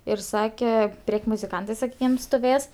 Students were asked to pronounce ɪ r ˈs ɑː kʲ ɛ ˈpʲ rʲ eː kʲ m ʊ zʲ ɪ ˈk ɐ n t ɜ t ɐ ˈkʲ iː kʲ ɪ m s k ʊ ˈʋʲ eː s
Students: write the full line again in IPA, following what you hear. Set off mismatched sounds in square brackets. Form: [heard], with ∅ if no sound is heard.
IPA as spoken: ɪ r ˈs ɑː kʲ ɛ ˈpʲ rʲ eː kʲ m ʊ zʲ ɪ ˈk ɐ n t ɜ [s] ɐ ˈkʲ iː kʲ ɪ m s [t] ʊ ˈʋʲ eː s